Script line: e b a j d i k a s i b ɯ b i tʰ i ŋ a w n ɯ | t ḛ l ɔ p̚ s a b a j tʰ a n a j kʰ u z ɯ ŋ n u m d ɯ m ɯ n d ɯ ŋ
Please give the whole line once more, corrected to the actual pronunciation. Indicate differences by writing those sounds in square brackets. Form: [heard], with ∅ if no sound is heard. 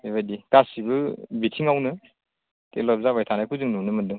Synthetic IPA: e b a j d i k a s i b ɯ b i tʰ i ŋ a w n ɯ | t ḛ l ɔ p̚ [z] a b a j tʰ a n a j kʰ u z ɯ ŋ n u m [n] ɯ m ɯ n d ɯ ŋ

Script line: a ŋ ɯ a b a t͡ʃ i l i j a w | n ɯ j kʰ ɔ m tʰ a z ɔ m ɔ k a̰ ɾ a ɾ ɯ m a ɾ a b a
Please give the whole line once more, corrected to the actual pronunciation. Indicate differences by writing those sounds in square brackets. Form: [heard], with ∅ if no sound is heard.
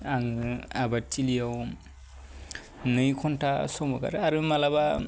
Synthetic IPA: a ŋ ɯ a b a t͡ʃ i l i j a w | n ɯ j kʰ ɔ [n] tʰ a [s] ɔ m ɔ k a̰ ɾ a ɾ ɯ m a [l] a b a

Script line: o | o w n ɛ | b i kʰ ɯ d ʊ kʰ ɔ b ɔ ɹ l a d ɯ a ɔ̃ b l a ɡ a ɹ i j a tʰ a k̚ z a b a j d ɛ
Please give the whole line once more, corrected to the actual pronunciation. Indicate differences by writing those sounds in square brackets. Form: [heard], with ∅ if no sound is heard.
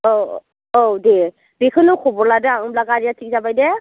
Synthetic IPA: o | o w [d] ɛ | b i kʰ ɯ [n] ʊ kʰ ɔ b ɔ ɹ l a d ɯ a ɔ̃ b l a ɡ a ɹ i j a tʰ [i] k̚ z a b a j d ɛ

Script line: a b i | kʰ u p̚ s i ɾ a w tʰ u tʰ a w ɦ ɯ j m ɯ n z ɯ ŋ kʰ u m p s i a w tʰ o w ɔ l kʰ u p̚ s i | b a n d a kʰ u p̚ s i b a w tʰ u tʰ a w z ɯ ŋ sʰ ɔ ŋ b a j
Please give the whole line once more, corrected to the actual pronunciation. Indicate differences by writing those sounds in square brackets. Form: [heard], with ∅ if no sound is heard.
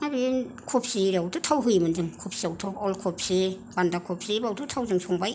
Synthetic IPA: a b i | kʰ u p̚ s i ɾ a w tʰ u tʰ a w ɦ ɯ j m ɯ n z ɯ ŋ kʰ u [∅] p s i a w tʰ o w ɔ l kʰ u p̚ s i | b a n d a kʰ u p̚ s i b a w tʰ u tʰ a w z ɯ ŋ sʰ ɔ ŋ b a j

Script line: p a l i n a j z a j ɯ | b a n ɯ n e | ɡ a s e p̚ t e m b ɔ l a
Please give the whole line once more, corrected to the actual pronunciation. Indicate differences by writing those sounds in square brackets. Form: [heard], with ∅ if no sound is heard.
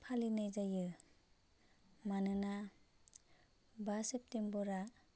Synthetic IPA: [pʰ] a l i n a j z a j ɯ | [m] a n ɯ n [a] | [b] a s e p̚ t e m b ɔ [ɾ] a

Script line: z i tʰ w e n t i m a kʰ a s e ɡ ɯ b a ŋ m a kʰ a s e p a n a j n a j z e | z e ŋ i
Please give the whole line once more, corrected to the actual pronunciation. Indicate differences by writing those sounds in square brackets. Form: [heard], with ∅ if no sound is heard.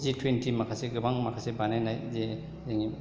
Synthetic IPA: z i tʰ w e n t i m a kʰ a s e ɡ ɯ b a ŋ m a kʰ a s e [b] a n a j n a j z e | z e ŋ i

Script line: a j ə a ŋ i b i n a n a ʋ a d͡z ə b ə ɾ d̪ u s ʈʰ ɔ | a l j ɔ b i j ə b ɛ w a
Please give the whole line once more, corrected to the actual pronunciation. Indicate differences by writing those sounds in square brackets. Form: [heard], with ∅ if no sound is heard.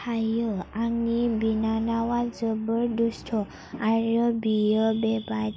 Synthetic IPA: a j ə a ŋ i b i n a n a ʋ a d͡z ə b ə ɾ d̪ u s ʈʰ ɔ | a [ɾ] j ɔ b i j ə b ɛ [b] a

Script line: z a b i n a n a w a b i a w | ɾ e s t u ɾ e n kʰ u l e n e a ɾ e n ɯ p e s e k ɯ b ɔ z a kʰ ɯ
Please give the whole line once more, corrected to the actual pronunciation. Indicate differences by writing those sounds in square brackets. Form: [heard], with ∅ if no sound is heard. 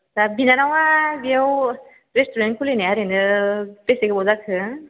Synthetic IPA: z a b i n a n a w a b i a w | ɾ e s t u ɾ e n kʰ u l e n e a ɾ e n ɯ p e s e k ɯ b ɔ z a kʰ ɯ

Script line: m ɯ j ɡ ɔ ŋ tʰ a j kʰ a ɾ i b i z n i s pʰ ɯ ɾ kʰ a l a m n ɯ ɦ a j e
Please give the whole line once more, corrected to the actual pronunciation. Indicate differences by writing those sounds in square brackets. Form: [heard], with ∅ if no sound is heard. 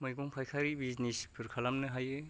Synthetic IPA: m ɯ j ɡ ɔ ŋ [pʰ] a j kʰ a ɾ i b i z n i s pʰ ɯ ɾ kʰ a l a m n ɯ ɦ a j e

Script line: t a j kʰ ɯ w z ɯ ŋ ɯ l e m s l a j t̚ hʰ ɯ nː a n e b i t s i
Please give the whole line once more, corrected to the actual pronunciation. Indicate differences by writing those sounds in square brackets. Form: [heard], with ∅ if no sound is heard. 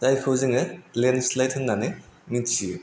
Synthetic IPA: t a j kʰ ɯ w z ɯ ŋ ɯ l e [n] s l a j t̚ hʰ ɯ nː a n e [m] i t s i

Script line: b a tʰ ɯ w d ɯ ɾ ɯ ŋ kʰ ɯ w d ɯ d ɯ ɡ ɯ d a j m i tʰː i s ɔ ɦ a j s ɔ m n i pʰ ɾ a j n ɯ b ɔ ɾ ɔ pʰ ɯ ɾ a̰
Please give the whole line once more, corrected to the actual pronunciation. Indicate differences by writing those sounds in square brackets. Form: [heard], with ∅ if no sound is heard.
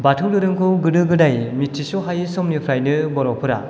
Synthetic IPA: b a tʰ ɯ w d ɯ ɾ ɯ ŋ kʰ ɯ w [ɡ] ɯ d ɯ ɡ ɯ d a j m i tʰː i s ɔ ɦ a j s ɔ m n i pʰ ɾ a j n ɯ b ɔ ɾ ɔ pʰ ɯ ɾ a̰

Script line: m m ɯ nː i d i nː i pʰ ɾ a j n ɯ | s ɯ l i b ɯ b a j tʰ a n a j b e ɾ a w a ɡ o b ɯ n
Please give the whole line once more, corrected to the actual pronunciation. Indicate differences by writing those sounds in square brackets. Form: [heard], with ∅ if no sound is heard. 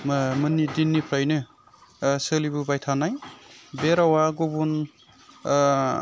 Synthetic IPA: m m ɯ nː i d i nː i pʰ ɾ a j n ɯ | s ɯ l i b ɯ b a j tʰ a n a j b e ɾ a w a ɡ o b [u] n

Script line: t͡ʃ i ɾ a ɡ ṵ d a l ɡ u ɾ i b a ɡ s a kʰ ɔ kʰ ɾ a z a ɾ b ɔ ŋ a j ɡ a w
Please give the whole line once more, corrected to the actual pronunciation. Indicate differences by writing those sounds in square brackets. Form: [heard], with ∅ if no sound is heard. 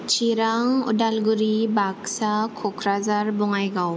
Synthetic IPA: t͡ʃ i ɾ a [ŋ] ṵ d a l ɡ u ɾ i b a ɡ s a kʰ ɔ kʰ ɾ a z a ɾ b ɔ ŋ a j ɡ a w

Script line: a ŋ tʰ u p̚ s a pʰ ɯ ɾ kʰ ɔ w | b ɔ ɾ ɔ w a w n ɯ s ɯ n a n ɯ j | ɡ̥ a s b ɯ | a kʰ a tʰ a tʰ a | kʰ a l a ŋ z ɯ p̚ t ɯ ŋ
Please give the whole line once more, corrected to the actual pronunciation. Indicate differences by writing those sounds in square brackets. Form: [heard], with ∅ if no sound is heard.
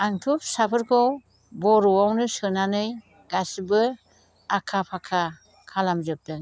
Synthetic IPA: a ŋ tʰ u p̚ s a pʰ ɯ ɾ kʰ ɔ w | b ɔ ɾ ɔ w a w n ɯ s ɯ n a n ɯ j | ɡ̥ a s b ɯ | a kʰ a [pʰ] a [kʰ] a | kʰ a l a [m] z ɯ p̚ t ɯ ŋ

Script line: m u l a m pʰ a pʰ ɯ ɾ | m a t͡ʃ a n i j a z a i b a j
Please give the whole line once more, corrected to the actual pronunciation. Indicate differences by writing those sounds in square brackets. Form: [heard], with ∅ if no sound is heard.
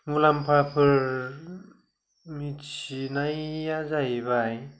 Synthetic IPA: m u l a m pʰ a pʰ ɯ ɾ | m [i] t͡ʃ [i] n [a] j a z a [j] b a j

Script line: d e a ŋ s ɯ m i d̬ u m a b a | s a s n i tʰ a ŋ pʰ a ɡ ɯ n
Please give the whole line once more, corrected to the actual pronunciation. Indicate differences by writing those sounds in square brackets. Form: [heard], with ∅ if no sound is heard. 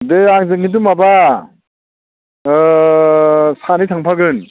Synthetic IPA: d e a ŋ [z] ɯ [ŋ] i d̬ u m a b a | s a [∅] n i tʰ a ŋ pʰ a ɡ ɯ n

